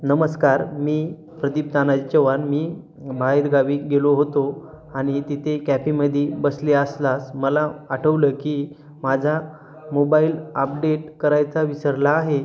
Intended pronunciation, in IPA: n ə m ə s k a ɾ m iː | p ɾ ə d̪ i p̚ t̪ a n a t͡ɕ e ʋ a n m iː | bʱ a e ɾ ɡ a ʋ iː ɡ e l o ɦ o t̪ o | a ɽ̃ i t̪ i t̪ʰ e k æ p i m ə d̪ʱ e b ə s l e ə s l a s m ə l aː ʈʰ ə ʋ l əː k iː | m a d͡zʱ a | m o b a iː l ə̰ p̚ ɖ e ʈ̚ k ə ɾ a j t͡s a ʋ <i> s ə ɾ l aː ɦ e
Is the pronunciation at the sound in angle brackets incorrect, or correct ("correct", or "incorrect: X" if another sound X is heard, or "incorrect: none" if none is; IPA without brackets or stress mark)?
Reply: correct